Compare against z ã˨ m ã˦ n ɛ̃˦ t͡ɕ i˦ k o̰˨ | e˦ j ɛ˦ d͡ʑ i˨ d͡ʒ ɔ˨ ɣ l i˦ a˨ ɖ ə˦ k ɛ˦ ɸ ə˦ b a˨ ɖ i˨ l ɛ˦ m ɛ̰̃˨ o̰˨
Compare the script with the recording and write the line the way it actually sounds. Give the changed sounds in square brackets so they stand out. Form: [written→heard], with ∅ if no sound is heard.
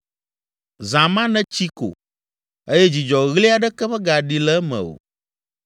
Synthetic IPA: z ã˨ m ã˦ n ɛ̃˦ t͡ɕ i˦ k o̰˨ | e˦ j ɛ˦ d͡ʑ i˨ d͡ʒ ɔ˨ ɣ l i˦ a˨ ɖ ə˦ k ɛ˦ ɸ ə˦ [b→ɡ] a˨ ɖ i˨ l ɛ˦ m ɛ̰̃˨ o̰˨